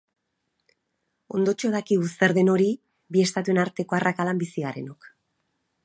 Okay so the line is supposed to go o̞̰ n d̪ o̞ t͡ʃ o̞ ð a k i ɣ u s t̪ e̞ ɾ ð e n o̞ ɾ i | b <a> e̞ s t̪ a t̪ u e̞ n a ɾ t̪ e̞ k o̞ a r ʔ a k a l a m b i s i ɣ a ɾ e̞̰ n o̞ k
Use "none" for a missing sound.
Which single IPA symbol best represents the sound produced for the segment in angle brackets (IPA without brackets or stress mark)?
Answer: i